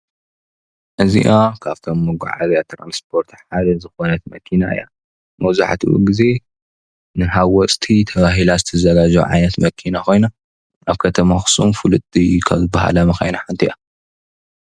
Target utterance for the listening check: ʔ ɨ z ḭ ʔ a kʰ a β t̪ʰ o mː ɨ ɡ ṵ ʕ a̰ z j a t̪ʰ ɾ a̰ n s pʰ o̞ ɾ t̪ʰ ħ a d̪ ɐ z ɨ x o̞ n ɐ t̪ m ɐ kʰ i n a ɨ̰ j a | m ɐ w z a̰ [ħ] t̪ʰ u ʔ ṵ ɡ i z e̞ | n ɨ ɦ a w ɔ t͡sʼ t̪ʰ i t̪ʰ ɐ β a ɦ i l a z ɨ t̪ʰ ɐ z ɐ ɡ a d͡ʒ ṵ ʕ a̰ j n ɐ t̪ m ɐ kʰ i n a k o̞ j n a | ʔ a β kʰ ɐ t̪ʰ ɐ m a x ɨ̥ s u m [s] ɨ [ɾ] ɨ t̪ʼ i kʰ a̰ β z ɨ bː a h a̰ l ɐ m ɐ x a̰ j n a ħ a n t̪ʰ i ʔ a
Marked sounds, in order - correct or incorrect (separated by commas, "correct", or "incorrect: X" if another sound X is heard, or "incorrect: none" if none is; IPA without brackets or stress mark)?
correct, incorrect: f, incorrect: l